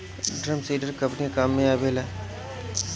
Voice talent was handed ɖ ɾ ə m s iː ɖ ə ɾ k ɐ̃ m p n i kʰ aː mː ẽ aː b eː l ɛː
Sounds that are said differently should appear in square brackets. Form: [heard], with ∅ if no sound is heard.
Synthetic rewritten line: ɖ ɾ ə m s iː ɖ ə ɾ k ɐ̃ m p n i [k] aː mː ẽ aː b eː l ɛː